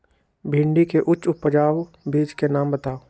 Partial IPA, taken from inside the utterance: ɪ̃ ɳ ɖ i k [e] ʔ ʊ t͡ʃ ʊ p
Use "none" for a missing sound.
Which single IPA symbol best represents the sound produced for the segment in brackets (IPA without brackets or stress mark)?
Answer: e